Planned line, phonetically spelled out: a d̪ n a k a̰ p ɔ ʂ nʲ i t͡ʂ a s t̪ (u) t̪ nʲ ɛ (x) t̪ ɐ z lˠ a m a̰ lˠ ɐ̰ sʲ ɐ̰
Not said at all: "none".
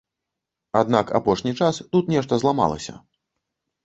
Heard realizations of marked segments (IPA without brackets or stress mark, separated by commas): u, ʂ